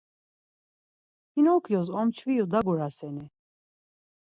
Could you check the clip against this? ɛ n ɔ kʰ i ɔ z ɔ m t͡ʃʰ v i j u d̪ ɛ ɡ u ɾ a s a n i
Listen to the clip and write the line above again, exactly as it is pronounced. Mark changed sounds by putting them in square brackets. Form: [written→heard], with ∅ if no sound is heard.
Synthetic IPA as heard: [ɛ→i] n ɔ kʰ [i→j] ɔ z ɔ m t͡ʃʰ v i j u d̪ [ɛ→a] ɡ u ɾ a s [a→ɛ] n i